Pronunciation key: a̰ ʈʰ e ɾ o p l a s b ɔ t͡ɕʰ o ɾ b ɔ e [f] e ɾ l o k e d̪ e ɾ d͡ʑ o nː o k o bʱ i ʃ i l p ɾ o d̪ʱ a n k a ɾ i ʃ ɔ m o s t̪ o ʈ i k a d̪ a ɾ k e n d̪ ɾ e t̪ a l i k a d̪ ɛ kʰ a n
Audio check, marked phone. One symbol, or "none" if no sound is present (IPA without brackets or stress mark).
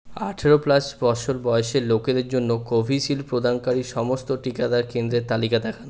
ʃ